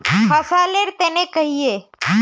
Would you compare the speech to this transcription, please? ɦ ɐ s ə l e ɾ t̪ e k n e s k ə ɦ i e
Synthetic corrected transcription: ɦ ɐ s a l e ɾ t̪ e n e k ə ɦ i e